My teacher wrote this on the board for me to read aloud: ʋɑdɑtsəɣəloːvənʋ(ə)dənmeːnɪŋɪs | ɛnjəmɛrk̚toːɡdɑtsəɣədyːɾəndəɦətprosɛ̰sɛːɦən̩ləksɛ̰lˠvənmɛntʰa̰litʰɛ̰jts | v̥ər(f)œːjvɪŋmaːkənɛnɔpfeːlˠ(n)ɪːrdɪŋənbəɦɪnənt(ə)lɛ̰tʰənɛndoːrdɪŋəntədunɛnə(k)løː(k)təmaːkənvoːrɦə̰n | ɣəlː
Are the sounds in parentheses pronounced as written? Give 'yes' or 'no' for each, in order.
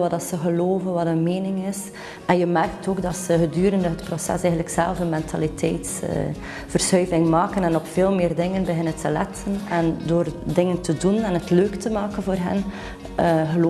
no, no, no, yes, no, yes

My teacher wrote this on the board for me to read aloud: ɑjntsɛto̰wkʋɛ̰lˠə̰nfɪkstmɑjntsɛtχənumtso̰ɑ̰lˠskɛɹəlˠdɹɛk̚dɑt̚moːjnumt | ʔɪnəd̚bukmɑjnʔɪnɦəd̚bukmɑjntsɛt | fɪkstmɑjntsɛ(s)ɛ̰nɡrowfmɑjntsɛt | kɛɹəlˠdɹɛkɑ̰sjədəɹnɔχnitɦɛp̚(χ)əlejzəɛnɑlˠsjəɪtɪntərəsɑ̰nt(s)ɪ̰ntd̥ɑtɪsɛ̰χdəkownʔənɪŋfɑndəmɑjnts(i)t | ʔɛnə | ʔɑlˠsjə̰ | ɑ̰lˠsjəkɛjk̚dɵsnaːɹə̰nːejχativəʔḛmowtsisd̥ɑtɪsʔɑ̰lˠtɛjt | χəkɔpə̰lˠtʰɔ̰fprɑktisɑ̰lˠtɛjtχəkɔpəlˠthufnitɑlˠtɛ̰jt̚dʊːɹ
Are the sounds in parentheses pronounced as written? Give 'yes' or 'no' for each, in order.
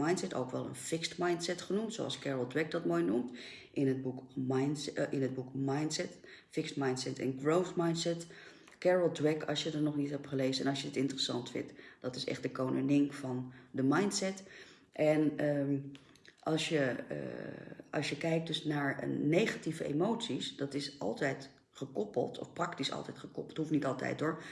no, yes, no, no

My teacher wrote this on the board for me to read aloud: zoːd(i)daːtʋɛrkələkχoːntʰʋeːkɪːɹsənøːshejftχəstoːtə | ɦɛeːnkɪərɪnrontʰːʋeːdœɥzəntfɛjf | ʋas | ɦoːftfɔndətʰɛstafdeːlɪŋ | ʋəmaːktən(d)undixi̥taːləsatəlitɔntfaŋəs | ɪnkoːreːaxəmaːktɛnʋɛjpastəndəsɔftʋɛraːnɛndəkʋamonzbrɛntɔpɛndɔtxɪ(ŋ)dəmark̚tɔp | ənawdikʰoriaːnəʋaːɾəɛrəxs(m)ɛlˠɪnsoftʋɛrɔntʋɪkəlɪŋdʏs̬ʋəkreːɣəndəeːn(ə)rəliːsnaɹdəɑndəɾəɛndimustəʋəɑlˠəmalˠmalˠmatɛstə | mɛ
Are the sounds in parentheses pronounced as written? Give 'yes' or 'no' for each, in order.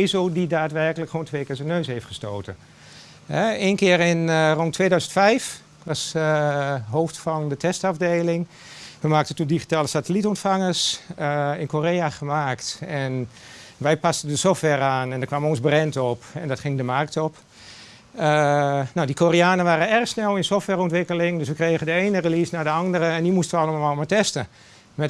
yes, no, yes, no, yes

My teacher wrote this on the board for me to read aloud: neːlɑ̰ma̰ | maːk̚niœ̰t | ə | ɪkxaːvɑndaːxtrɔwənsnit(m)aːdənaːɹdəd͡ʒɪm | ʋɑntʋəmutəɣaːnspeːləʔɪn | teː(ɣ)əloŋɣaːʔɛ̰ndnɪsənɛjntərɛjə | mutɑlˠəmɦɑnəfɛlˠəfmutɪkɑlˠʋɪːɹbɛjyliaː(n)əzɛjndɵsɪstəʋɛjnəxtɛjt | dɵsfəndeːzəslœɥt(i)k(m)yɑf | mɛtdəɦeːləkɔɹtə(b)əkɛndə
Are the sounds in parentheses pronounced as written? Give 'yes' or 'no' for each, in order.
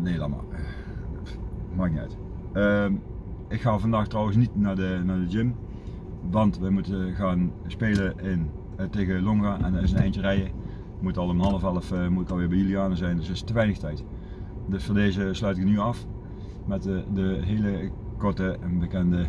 no, yes, yes, no, no, yes

